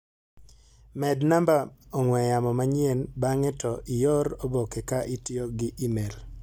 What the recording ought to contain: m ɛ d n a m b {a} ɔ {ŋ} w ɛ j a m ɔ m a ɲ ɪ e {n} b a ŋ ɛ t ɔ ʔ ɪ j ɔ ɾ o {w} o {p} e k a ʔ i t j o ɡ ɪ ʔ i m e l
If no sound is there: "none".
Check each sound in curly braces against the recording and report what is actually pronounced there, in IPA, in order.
a, ŋ, n, b, k

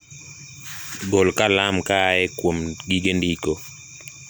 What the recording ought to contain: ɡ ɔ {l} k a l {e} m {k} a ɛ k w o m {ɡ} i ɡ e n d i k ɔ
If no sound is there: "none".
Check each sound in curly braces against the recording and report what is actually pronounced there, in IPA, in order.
l, a, k, ɡ

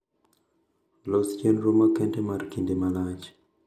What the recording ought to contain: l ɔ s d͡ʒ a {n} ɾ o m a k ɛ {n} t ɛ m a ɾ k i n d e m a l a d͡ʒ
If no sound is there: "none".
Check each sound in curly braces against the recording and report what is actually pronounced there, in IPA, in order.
n, n

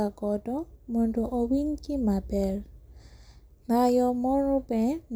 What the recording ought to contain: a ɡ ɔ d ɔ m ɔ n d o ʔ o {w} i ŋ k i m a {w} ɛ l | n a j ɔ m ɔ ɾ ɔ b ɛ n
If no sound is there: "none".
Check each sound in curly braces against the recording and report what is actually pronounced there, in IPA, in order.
w, b

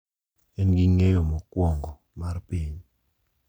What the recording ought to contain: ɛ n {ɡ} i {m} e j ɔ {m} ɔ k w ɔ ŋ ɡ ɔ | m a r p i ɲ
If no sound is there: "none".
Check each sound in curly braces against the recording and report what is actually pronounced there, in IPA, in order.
ɡ, ŋ, m

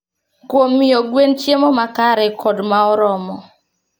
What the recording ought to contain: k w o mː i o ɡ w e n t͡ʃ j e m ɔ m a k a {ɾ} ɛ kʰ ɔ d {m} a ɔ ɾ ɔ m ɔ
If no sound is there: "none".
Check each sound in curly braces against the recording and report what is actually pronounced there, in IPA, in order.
ɾ, m

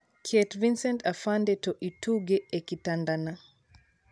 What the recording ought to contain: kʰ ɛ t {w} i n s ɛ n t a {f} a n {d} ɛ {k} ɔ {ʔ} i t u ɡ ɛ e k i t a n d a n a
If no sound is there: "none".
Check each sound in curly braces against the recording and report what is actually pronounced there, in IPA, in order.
v, f, d, t, ʔ

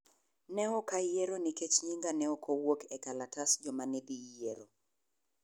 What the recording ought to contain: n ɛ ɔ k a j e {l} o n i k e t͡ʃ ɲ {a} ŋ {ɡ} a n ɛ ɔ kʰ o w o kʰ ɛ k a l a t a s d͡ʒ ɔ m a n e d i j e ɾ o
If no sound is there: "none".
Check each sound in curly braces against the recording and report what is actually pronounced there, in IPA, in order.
ɾ, i, ɡ

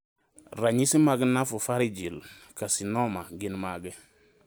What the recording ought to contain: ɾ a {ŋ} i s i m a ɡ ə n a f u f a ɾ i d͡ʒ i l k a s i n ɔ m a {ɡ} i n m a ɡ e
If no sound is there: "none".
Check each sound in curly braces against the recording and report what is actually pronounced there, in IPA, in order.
ɲ, ɡ

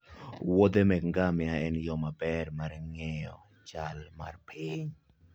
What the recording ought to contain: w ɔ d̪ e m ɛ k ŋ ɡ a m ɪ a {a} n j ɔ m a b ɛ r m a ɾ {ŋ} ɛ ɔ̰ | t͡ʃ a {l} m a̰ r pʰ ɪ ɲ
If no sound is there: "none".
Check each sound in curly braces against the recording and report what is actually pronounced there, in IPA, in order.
ɛ, ŋ, l

